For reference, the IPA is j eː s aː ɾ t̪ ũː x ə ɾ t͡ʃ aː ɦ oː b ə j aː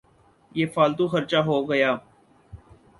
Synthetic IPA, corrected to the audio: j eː f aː l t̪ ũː x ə ɾ t͡ʃ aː ɦ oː ɡ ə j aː